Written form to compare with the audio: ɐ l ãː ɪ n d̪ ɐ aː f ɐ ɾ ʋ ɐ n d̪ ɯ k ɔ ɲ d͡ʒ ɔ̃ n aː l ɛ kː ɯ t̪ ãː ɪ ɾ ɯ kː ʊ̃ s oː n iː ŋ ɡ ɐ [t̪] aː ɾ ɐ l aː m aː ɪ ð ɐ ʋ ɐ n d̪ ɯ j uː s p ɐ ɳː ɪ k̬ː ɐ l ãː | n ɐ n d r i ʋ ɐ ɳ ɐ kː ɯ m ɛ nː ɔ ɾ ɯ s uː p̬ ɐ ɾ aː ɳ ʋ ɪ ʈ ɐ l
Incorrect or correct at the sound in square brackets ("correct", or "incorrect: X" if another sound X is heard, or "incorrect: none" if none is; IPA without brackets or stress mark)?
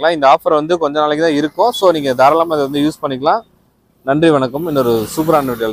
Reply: incorrect: d̪